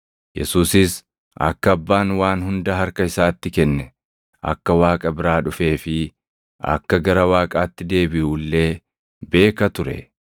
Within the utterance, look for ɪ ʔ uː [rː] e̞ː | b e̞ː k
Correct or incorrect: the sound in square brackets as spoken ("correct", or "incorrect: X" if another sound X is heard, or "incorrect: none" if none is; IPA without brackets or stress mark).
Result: incorrect: lː